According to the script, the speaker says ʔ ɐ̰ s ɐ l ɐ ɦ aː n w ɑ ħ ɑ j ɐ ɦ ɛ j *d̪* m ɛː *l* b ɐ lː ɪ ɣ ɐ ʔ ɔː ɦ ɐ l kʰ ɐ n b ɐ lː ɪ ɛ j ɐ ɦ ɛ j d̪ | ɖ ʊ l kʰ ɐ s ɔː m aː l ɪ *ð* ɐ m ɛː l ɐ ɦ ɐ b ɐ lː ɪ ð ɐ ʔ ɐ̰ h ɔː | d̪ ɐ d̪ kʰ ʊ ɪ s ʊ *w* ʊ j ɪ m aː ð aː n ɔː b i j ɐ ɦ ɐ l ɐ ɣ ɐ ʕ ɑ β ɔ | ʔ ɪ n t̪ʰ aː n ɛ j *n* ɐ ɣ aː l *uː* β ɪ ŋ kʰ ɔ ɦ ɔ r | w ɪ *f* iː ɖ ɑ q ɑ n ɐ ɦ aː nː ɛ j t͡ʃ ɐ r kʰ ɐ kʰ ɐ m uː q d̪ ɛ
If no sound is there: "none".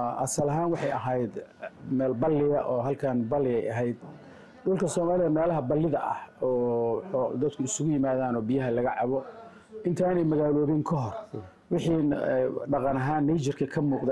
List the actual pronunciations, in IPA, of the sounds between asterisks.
d̪, l, ð, ɣ, m, ɔː, ħ

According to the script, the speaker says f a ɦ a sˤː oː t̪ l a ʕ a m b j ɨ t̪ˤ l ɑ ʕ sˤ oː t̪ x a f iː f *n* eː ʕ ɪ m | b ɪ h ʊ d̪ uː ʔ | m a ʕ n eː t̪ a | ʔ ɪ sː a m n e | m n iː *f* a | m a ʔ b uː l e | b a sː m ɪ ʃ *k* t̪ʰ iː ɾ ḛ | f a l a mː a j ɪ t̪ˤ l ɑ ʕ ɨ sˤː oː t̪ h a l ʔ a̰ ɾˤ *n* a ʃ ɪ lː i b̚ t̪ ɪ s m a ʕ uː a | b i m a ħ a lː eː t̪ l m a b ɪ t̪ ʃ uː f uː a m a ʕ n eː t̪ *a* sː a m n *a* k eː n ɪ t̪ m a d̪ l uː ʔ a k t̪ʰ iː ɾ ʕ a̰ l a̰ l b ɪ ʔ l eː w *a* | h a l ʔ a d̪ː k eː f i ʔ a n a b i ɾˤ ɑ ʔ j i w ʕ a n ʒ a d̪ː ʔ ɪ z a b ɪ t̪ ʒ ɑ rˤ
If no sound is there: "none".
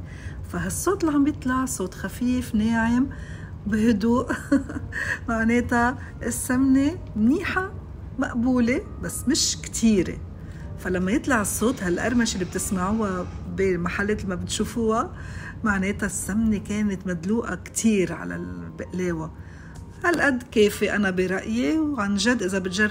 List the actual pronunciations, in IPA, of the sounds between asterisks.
n, ħ, k, m, a, e, a

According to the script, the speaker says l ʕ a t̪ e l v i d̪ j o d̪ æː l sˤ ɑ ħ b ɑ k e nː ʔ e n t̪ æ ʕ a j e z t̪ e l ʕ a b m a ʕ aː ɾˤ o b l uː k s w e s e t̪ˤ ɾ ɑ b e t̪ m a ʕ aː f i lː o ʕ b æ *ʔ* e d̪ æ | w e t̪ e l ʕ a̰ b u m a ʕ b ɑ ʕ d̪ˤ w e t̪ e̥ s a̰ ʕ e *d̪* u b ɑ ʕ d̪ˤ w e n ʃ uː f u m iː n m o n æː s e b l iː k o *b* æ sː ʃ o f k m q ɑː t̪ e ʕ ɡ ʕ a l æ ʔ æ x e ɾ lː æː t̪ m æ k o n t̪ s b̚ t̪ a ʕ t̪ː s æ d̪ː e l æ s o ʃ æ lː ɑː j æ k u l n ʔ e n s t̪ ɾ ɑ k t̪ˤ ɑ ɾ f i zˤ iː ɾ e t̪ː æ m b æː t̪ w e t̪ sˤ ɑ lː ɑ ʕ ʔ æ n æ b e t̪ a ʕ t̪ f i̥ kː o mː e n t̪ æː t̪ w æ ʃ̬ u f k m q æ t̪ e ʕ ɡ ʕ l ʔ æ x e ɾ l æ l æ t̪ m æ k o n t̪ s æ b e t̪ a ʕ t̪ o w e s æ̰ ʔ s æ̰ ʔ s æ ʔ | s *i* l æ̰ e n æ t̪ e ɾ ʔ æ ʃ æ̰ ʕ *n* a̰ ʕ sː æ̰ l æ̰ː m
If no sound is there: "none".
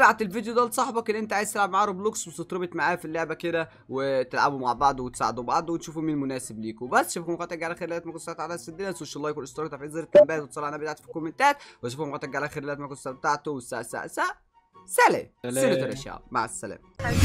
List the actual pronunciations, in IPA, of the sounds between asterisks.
k, d̪, b, æ, m

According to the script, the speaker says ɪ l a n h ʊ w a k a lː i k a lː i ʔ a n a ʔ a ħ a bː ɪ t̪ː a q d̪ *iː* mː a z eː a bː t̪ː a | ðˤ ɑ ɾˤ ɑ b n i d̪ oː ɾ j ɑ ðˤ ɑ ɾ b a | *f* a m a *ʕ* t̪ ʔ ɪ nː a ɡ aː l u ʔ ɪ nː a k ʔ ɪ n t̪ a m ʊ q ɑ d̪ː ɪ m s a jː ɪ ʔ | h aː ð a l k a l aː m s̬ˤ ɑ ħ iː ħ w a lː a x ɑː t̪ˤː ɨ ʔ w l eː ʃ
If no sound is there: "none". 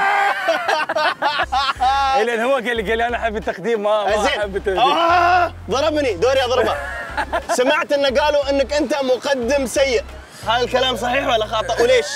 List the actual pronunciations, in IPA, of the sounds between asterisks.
iː, s, ʕ

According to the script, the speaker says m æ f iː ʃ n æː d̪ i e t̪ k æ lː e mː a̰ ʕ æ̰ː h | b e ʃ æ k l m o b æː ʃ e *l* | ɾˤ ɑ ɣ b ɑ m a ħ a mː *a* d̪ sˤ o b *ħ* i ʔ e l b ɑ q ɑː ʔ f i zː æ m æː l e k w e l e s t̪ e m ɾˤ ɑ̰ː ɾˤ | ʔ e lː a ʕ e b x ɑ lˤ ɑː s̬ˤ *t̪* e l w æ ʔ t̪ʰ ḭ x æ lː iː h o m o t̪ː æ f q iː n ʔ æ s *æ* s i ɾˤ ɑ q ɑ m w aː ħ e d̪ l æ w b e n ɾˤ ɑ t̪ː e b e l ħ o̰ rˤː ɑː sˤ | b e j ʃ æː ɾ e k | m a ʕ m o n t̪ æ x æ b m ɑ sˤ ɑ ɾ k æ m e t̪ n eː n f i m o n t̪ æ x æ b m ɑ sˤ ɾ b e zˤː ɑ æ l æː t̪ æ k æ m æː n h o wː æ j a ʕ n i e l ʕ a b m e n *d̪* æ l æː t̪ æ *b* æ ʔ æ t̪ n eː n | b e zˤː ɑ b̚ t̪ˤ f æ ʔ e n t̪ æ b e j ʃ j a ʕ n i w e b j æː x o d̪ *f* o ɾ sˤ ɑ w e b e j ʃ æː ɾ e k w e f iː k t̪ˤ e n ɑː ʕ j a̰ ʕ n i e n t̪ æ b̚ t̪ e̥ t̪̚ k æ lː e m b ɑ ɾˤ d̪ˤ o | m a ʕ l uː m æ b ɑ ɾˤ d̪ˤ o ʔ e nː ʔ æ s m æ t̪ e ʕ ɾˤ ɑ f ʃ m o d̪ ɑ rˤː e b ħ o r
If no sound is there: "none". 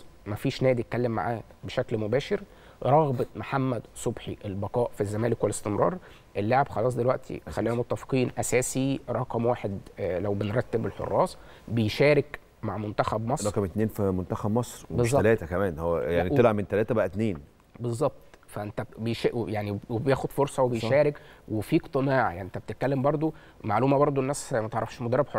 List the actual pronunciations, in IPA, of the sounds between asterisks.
ɾ, æ, ħ, d̪, æː, t̪, b, f

